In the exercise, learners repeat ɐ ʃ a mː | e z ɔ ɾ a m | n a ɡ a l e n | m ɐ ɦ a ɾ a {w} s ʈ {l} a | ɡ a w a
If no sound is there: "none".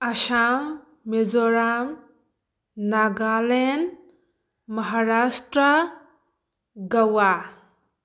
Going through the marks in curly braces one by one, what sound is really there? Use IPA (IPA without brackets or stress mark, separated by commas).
none, ɾ